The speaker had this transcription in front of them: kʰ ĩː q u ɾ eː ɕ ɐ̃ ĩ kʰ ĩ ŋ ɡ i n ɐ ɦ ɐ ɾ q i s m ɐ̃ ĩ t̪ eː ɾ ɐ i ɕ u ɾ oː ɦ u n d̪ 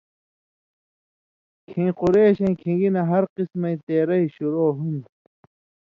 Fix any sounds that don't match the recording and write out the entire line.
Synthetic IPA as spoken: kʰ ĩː q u ɾ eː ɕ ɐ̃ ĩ kʰ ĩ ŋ ɡ i n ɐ ɦ ɐ ɾ q i s m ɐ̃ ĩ t̪ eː ɾ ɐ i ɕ u ɾ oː ɦ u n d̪